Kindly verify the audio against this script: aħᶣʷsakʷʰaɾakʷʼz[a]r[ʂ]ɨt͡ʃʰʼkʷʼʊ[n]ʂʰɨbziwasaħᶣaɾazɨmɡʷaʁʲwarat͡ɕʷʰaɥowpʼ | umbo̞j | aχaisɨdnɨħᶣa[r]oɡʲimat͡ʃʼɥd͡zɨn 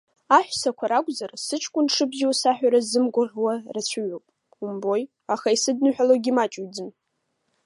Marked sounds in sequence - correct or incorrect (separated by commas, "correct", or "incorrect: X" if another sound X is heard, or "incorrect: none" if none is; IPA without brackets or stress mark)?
correct, incorrect: s, correct, incorrect: l